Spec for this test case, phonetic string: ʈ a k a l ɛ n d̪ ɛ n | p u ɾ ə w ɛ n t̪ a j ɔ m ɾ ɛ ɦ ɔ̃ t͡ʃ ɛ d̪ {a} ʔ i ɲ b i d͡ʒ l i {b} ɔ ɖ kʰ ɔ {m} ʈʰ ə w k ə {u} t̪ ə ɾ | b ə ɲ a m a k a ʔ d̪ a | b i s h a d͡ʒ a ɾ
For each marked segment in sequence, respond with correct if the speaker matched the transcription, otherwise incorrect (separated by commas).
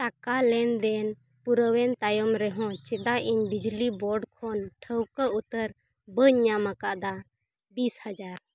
correct, correct, incorrect, correct